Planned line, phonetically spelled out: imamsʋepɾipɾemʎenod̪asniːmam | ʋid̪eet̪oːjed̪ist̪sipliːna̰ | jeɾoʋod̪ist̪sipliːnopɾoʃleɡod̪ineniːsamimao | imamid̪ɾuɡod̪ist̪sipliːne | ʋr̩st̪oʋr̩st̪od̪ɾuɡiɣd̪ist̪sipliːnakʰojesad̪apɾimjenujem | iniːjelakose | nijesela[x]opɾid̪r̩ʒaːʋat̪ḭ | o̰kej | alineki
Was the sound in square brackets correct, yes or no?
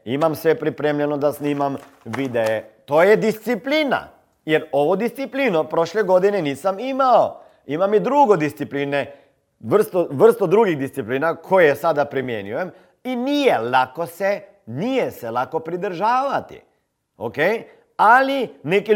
no